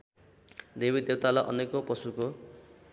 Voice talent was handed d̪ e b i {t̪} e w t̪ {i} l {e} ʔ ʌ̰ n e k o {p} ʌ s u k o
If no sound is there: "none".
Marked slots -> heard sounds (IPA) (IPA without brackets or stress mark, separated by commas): d̪, a, a, p